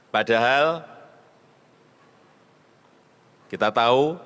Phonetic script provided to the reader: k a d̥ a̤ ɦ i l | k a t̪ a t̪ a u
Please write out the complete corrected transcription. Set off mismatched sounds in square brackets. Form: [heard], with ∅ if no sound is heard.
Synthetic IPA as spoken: [p] a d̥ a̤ ɦ [a] l | k [i] t̪ a t̪ a u

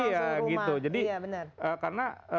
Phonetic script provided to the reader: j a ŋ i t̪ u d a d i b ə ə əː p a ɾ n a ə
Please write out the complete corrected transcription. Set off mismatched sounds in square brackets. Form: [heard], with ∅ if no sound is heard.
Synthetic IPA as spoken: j a [ɡ] i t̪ u [d͡ʒ] a d i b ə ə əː [k] a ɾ n a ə

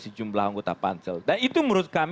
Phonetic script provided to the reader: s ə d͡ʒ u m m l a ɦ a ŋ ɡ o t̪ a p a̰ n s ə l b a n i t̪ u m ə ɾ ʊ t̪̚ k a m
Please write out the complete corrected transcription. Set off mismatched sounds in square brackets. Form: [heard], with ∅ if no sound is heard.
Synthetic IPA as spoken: s ə d͡ʒ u m [b] l a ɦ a ŋ ɡ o t̪ a p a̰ n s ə l [d] a n i t̪ u m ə ɾ ʊ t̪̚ k a m

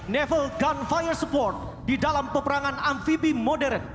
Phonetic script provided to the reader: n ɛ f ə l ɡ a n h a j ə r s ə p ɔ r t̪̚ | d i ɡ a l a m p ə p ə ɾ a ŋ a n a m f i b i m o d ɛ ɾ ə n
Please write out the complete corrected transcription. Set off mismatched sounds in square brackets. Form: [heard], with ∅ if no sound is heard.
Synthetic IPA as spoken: n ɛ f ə l ɡ a n [f] a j ə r s ə p ɔ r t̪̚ | d i [d] a l a m p ə p ə ɾ a ŋ a n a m f i b i m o d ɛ ɾ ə n

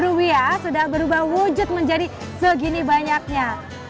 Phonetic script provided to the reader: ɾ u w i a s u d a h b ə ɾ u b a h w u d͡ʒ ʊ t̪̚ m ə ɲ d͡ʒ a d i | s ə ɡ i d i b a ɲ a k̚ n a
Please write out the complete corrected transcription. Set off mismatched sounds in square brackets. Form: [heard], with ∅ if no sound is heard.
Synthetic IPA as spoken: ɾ u w i a s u d a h b ə ɾ u b a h w u d͡ʒ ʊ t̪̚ m ə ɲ d͡ʒ a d i | s ə ɡ i [n] i b a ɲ a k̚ [ɲ] a

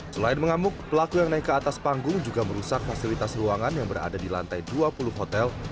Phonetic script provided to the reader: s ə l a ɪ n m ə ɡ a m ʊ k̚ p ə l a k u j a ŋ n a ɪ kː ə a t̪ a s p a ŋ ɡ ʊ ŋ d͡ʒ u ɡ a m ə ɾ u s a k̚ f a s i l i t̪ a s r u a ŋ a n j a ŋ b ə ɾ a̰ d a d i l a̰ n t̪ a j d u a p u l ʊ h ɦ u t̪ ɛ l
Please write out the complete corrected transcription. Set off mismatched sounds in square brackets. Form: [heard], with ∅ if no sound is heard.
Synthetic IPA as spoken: s ə l a ɪ n m ə [ŋ] a m ʊ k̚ p ə l a k u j a ŋ n a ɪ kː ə a t̪ a s p a ŋ ɡ ʊ ŋ d͡ʒ u ɡ a m ə ɾ u s a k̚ f a s i l i t̪ a s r u a ŋ a n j a ŋ b ə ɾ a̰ d a d i l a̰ n t̪ a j d u a p u l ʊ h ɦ [o] t̪ ɛ l

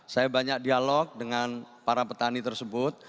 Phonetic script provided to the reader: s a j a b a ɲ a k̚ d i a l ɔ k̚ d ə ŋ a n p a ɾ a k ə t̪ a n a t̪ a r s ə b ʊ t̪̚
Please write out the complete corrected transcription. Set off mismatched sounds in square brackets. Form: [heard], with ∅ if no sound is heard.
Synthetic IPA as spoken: s a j a b a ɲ a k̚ d i a l ɔ k̚ d ə ŋ a n p a ɾ a [p] ə t̪ a n [i] t̪ [ə] r s ə b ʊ t̪̚

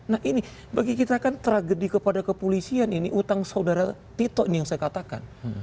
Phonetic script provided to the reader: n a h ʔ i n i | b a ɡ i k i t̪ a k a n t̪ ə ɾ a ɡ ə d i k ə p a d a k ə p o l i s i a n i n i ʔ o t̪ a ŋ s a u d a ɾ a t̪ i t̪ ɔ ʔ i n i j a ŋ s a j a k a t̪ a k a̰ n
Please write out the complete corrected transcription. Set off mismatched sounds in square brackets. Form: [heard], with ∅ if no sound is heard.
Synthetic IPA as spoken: n a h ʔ i n i | b a ɡ i k i t̪ a k a n t̪ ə ɾ a ɡ ə d i k ə p a d a k ə p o l i s i a n i n i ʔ [u] t̪ a ŋ s a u d a ɾ a t̪ i t̪ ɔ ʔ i n i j a ŋ s a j a k a t̪ a k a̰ n

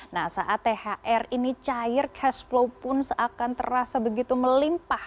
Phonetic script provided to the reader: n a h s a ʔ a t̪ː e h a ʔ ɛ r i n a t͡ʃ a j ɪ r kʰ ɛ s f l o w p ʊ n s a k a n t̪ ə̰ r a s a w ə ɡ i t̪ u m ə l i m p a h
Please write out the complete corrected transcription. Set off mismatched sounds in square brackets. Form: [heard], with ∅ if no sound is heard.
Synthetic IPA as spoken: n a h s a ʔ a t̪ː e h a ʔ ɛ r i n [i] t͡ʃ a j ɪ r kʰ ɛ s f l o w p ʊ n s a k a n t̪ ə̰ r a s a [b] ə ɡ i t̪ u m ə l i m p a h

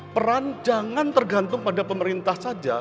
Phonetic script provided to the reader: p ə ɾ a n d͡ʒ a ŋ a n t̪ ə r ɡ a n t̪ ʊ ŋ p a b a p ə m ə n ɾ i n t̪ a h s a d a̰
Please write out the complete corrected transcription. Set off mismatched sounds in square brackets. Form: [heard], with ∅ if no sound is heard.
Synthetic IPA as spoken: p ə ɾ a n d͡ʒ a ŋ a n t̪ ə r ɡ a n t̪ ʊ ŋ p a [d] a p ə m ə [∅] ɾ i n t̪ a h s a [d͡ʒ] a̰

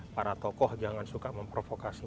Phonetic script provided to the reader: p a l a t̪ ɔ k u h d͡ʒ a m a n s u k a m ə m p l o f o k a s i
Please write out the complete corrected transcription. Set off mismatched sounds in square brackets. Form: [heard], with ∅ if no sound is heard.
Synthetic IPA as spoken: p a [ɾ] a t̪ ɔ k [ɔ] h d͡ʒ a [ŋ] a n s u k a m ə m p [ɾ] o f o k a s i

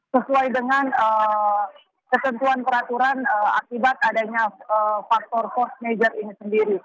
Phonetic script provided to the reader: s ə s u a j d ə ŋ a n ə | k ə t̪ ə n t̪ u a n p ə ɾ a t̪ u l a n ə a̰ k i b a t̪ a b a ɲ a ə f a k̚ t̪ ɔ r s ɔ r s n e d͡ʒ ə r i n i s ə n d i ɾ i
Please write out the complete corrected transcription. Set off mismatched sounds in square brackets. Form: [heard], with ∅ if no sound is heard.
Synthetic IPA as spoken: s ə s u a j d ə ŋ a n ə | k ə t̪ ə n t̪ u a n p ə ɾ a t̪ u [ɾ] a n ə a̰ k i b a t̪ a [d] a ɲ a ə f a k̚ t̪ ɔ r [f] ɔ r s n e d͡ʒ ə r i n i s ə n d i ɾ i

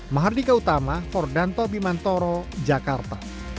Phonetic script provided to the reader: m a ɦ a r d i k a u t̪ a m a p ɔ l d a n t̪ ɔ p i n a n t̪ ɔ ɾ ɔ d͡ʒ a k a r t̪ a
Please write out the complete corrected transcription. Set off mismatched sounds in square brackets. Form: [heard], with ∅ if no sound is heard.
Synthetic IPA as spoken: m a ɦ a r d i k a u t̪ a m a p ɔ [r] d a n t̪ ɔ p i [m] a n t̪ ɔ ɾ ɔ d͡ʒ a k a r t̪ a

